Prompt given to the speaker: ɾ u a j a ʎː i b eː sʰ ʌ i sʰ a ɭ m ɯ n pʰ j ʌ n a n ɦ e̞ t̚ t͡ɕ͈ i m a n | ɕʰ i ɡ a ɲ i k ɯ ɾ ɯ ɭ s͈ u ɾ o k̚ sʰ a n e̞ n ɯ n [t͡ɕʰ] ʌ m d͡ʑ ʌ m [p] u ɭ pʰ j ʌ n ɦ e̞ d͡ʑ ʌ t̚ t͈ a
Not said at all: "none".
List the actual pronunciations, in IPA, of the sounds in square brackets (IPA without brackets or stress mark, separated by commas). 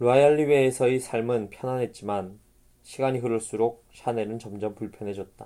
t͡ɕ, p